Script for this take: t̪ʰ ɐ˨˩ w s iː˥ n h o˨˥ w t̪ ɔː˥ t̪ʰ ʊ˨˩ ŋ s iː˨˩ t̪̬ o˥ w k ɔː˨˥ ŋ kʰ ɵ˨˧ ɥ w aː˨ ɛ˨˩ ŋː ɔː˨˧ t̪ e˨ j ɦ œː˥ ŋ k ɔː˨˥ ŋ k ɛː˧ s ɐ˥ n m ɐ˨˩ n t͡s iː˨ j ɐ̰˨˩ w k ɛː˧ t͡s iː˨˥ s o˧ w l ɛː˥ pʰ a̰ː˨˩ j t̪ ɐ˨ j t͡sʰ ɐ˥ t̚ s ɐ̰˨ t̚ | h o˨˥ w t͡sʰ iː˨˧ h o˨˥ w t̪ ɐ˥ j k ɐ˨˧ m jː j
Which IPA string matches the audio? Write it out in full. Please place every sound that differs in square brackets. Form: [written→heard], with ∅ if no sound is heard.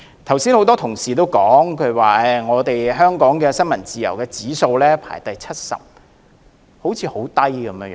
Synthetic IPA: t̪ʰ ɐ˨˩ w s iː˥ n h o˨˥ w t̪ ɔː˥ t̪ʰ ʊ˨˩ ŋ s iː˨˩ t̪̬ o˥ w k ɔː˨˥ ŋ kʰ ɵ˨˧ ɥ w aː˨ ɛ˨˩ [ŋː→ŋ] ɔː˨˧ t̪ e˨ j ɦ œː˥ ŋ k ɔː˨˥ ŋ k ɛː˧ s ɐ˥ n m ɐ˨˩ n t͡s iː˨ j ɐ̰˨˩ w k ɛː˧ t͡s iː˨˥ s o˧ w l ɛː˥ pʰ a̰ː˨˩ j t̪ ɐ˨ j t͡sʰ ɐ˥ t̚ s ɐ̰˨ [t̚→p̚] | h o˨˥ w t͡sʰ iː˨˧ h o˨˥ w t̪ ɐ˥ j k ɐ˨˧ m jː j